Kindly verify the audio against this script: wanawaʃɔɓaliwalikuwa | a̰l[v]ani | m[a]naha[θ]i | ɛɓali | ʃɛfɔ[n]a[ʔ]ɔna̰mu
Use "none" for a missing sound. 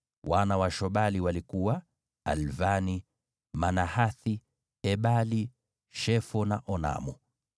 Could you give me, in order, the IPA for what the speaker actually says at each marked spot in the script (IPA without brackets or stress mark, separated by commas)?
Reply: v, a, θ, n, ʔ